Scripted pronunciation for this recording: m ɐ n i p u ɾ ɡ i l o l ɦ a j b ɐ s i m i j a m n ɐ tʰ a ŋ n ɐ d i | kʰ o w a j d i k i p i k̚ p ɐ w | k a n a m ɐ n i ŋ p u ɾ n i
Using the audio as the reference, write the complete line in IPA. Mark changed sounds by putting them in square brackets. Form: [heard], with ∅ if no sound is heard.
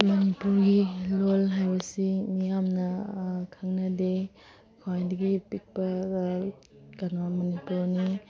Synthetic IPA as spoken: m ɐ n i p u ɾ ɡ i l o l ɦ a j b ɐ s i m i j a m n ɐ [kʰ] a ŋ n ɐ d [e] | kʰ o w a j d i [ɡ] i p i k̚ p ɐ [∅] | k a n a m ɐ n i [∅] p u ɾ n i